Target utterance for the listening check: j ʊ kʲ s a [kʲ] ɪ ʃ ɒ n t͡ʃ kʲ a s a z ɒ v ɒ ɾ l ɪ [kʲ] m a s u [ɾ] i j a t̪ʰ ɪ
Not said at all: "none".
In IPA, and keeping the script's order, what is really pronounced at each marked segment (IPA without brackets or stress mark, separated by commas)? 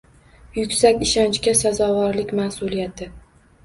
kʲ, kʲ, l